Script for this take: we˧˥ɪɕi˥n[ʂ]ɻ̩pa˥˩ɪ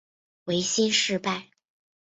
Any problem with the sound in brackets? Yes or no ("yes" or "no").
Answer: no